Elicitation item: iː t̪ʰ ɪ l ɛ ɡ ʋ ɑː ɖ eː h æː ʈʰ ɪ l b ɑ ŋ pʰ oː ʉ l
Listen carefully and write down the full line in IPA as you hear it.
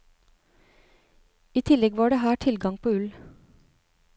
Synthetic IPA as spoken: iː t̪ʰ ɪ l ɛ ɡ ʋ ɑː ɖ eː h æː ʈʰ ɪ l ɡ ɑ ŋ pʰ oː ʉ l